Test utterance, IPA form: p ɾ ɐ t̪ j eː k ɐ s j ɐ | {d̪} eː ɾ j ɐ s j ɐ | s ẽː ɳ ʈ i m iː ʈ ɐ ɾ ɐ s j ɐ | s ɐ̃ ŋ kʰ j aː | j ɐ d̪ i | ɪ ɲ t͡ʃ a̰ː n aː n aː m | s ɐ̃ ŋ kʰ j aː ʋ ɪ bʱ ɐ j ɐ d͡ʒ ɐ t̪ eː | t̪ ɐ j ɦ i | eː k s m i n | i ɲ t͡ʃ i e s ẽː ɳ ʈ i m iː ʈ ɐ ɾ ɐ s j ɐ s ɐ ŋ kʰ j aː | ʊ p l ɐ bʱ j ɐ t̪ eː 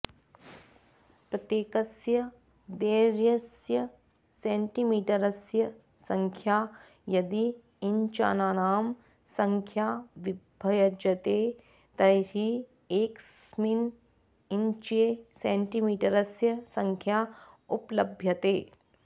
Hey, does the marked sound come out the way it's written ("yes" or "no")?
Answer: yes